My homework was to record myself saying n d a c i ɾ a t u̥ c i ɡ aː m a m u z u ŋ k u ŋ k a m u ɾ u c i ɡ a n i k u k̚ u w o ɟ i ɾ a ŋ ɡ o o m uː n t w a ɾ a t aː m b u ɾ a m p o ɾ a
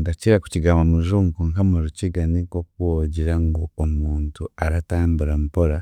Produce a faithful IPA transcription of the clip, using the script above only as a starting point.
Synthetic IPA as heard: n d a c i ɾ a k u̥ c i ɡ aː m a m u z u ŋ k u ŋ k a m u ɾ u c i ɡ a n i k o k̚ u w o ɟ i ɾ a ŋ ɡ o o m uː n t u a ɾ a t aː m b u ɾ a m p o ɾ a